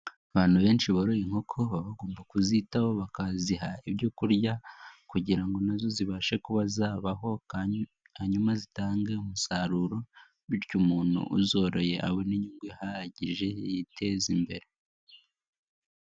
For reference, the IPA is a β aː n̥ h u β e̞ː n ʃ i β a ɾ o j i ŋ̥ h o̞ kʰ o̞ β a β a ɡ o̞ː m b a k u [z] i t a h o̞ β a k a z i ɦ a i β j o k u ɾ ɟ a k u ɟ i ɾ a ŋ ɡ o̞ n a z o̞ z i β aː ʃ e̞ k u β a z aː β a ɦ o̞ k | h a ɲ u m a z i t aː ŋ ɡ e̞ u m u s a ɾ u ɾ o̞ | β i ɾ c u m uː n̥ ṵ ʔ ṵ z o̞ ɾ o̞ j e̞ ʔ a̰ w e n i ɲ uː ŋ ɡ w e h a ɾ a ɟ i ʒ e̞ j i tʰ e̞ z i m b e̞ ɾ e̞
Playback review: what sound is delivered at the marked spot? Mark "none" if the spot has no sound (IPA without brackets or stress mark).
z